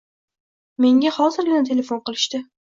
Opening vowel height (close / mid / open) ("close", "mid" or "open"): mid